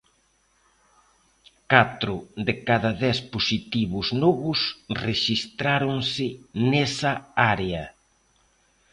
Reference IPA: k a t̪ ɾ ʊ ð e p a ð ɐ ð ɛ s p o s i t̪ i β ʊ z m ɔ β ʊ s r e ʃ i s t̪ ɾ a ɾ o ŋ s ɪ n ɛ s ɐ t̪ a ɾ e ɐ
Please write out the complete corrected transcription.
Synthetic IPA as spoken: k a t̪ ɾ ʊ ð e k a ð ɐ ð ɛ s p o s i t̪ i β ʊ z n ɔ β ʊ s r e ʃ i s t̪ ɾ a ɾ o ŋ s ɪ n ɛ s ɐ a ɾ e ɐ